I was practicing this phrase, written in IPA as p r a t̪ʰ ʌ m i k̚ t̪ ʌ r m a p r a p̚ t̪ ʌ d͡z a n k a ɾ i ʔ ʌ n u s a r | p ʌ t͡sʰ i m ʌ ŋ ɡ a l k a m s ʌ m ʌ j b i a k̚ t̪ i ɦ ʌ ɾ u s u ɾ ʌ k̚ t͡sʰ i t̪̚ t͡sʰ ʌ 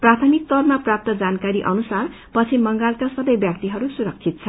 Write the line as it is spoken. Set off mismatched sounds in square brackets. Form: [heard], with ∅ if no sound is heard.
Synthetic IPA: p r a t̪ʰ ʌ m i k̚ t̪ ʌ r m a p r a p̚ t̪ ʌ d͡z a n k a ɾ i ʔ ʌ n u s a r | p ʌ t͡sʰ i m ʌ ŋ ɡ a l k a [∅] s ʌ [b] ʌ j b [j] a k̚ t̪ i ɦ ʌ ɾ u s u ɾ ʌ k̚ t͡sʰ i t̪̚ t͡sʰ ʌ